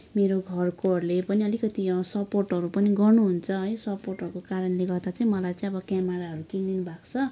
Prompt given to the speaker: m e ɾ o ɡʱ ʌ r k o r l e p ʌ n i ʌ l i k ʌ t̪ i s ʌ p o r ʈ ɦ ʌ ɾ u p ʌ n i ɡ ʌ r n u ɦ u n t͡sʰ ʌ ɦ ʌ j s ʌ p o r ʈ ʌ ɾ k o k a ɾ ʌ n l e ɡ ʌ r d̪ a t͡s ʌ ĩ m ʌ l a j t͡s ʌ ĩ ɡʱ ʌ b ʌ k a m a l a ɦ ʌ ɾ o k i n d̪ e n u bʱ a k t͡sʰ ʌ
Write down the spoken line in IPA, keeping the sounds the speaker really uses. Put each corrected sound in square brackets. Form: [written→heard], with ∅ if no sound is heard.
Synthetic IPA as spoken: m e ɾ o ɡʱ ʌ r k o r l e p ʌ n i ʌ l i k ʌ t̪ i s ʌ p o r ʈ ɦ ʌ ɾ u p ʌ n i ɡ ʌ r n u ɦ u n t͡sʰ ʌ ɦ ʌ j s ʌ p o r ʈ ʌ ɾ k o k a ɾ ʌ n l e ɡ ʌ r d̪ a t͡s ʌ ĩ m ʌ l a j t͡s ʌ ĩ [ɡʱ→∅] ʌ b ʌ k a m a [l→ɾ] a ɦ ʌ ɾ [o→u] k i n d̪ [e→i] n u bʱ a k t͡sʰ ʌ